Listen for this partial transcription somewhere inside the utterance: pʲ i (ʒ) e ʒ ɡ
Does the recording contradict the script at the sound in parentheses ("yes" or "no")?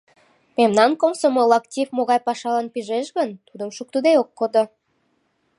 no